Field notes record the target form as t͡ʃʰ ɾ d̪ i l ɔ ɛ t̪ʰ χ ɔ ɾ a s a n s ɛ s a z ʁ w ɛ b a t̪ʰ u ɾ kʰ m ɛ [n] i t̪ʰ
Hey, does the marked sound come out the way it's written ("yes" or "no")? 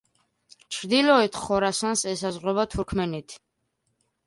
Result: yes